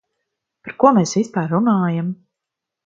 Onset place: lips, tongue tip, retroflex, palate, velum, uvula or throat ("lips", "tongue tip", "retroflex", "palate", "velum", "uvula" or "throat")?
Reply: lips